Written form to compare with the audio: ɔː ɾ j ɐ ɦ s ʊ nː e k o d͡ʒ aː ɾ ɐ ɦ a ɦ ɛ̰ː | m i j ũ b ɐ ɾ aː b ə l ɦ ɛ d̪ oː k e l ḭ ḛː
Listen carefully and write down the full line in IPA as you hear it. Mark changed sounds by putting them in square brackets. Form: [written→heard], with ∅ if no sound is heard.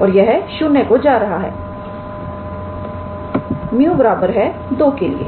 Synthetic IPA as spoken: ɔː ɾ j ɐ ɦ [s→ʃ] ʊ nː e k o d͡ʒ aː ɾ ɐ ɦ a ɦ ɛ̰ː | m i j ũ b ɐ ɾ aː b ə [l→ɾ] ɦ ɛ d̪ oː k e l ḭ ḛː